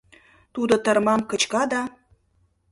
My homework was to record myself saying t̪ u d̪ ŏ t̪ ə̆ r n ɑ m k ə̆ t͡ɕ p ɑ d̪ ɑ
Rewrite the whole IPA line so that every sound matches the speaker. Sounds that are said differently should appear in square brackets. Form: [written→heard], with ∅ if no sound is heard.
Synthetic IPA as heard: t̪ u d̪ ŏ t̪ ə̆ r [n→m] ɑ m k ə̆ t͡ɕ [p→k] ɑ d̪ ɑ